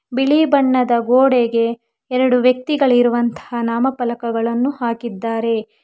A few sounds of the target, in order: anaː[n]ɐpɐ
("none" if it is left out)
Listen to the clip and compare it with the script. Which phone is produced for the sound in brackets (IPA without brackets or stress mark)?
m